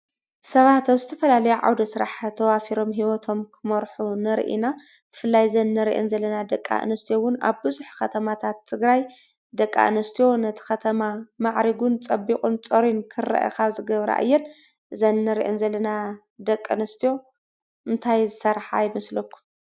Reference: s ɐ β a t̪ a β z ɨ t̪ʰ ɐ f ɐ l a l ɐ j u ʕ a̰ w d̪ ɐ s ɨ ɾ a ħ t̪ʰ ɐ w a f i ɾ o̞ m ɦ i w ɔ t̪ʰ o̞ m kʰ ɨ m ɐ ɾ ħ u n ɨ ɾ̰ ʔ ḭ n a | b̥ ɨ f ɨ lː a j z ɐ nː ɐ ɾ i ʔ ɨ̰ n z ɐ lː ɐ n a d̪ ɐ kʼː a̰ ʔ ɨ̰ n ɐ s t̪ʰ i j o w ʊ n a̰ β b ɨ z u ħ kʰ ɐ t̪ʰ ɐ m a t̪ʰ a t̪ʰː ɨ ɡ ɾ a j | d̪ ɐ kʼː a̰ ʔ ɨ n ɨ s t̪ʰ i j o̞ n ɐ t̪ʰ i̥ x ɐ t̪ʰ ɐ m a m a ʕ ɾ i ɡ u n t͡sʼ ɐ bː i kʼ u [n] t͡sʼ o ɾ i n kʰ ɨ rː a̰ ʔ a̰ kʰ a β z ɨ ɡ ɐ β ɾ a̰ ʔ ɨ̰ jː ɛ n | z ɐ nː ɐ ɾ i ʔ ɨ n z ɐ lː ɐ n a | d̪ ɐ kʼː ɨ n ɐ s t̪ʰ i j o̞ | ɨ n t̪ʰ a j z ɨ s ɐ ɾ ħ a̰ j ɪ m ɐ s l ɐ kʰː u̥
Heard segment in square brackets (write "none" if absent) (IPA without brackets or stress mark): n